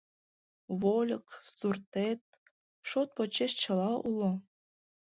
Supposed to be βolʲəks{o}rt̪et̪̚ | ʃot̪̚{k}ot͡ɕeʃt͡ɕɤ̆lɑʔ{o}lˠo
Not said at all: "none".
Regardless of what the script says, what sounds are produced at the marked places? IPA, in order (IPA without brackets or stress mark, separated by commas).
u, p, u